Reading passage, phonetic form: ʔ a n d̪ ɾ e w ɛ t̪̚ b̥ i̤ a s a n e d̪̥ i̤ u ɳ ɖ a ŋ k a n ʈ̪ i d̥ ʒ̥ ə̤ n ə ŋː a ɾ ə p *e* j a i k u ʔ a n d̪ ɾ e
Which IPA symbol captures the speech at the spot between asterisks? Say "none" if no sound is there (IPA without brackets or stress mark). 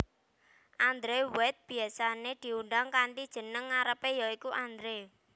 e